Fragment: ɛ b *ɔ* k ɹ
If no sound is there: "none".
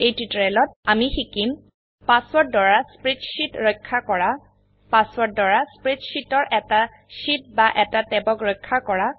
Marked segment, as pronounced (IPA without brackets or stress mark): ɔ